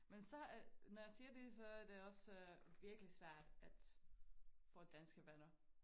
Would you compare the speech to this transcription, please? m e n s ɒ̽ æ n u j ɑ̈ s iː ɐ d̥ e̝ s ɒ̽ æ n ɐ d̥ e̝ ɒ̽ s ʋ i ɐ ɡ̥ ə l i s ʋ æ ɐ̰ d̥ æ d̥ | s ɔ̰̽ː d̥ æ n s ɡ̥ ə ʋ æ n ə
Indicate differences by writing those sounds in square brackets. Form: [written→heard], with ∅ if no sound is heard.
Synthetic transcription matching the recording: m e n s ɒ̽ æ n [u→ɒ] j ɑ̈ s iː ɐ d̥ e̝ s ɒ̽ æ [n→∅] ɐ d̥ e̝ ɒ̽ s ʋ i ɐ ɡ̥ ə l i s ʋ æ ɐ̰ d̥ æ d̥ | [s→f] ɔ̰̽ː d̥ æ n s ɡ̥ ə ʋ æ n [ə→ɐ]